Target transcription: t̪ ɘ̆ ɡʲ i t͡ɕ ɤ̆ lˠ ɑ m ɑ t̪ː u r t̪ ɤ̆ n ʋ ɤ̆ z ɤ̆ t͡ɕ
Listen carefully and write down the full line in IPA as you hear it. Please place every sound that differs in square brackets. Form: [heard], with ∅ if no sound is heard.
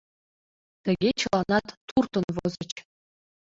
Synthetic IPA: t̪ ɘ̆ ɡʲ [e] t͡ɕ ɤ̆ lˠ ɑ [n] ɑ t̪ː u r t̪ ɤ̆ n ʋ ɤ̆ z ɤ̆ t͡ɕ